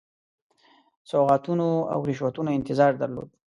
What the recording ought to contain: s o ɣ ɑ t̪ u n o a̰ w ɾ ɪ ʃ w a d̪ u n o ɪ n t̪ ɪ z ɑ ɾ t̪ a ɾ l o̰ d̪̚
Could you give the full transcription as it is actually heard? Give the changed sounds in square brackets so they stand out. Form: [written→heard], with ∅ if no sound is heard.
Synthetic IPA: s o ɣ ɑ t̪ u n o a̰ w ɾ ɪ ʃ w a [d̪→t̪] u n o ɪ n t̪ ɪ z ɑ ɾ [t̪→d̪] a ɾ l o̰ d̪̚